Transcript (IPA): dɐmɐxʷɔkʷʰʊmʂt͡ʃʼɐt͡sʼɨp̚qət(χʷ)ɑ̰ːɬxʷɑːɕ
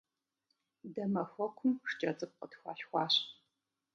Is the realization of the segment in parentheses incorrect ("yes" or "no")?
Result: yes